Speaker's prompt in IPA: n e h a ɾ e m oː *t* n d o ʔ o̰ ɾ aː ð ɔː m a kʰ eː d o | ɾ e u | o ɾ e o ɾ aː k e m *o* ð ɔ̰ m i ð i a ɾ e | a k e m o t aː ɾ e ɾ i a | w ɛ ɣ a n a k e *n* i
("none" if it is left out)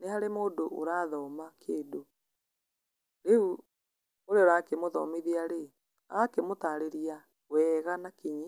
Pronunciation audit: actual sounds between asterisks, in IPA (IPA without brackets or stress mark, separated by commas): none, o, ɲ